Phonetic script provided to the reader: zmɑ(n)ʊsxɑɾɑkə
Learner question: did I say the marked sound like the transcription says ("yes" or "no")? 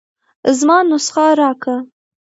yes